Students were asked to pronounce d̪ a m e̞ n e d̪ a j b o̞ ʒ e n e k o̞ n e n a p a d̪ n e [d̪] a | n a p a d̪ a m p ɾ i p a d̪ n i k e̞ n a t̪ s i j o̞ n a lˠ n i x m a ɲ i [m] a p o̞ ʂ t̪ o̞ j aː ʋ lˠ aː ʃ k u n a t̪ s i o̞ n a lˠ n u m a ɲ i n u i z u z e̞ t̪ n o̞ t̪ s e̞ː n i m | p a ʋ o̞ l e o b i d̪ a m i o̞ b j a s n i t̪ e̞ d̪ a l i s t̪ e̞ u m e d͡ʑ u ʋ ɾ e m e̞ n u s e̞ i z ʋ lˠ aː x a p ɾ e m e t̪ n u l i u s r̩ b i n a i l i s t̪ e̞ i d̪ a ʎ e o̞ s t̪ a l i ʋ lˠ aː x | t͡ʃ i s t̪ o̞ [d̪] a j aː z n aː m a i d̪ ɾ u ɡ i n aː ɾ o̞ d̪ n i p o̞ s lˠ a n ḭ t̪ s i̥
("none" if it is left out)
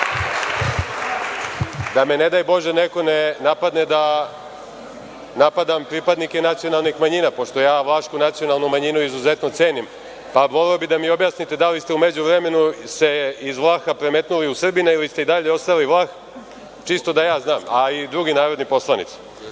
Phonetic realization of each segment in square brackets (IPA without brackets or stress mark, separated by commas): d̪, n, d̪